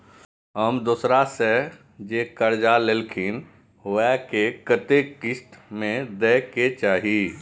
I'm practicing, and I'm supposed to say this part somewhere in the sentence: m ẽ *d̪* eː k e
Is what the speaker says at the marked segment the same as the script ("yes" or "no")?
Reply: yes